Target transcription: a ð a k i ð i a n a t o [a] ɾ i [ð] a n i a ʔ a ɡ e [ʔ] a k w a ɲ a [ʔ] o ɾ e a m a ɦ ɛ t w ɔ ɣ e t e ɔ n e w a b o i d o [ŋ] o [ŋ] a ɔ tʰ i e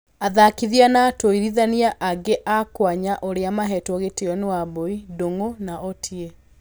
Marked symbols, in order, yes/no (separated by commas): no, yes, yes, yes, yes, no